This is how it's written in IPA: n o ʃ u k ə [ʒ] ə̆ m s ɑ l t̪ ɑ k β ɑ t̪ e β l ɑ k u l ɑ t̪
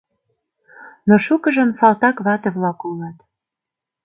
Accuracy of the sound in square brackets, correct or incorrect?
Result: correct